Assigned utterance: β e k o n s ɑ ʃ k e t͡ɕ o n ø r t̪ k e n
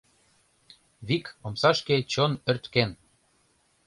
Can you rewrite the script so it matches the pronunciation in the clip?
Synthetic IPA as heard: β i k o m s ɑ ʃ k e t͡ɕ o n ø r t̪ k e n

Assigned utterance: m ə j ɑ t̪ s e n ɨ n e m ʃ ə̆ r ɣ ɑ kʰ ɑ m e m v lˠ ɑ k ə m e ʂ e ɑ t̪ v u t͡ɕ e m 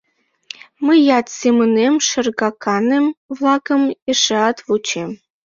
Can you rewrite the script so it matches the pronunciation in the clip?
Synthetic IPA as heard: m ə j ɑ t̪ s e m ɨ n e m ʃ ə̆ r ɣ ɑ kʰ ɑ n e m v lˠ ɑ k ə m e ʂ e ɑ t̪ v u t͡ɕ e m

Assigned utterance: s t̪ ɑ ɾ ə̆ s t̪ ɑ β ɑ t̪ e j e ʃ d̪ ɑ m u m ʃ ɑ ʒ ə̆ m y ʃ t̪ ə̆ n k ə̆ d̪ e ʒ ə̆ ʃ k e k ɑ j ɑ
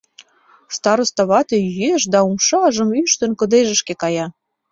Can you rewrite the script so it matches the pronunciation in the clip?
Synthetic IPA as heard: s t̪ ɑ ɾ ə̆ s t̪ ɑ β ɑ t̪ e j e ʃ d̪ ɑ u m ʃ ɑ ʒ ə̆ m y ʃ t̪ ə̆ n k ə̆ d̪ e ʒ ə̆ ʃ k e k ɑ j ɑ

